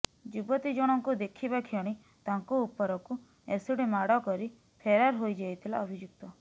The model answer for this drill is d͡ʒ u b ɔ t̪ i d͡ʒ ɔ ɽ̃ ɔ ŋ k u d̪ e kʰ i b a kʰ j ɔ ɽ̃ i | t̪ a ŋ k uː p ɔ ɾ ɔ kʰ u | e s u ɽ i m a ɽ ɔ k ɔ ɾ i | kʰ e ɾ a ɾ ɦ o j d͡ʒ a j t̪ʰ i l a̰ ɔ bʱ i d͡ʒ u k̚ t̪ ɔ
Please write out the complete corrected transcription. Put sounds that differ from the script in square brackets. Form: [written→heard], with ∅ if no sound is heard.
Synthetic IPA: d͡ʒ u b ɔ t̪ i d͡ʒ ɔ ɽ̃ ɔ ŋ k u d̪ e kʰ i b a kʰ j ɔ ɽ̃ i | t̪ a ŋ k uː p ɔ ɾ ɔ [kʰ→k] u | e s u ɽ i m a ɽ ɔ k ɔ ɾ i | [kʰ→pʰ] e ɾ a ɾ ɦ o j d͡ʒ a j t̪ʰ i l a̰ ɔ bʱ i d͡ʒ u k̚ t̪ ɔ